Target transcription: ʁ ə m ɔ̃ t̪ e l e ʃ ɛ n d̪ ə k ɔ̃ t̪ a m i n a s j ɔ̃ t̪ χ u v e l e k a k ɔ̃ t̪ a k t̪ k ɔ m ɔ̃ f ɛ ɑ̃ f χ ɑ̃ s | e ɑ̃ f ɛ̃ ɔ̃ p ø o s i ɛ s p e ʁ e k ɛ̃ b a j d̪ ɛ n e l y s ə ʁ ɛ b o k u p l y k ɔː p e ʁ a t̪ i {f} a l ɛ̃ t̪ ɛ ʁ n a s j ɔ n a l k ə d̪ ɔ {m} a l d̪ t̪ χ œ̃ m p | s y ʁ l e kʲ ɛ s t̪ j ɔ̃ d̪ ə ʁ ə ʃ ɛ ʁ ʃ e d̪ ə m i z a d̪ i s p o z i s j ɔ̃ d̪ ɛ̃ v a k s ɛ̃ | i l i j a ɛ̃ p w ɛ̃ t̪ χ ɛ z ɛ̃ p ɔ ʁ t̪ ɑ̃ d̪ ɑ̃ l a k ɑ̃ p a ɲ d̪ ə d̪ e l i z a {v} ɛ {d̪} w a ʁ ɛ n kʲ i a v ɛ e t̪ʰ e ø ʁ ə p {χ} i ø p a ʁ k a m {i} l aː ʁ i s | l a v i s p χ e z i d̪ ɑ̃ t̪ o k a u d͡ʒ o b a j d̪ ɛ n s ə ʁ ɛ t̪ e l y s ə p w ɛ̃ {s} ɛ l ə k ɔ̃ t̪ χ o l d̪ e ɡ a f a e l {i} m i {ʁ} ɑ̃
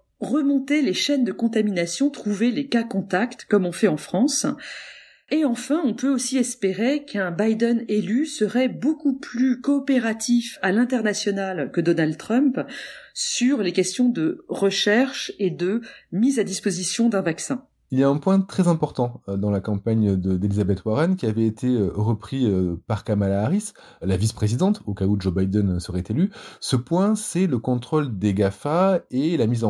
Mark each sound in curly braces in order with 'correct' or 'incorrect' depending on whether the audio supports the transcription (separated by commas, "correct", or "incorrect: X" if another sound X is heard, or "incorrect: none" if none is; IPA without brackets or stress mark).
correct, incorrect: n, incorrect: b, incorrect: t̪, correct, incorrect: a, correct, incorrect: a, incorrect: z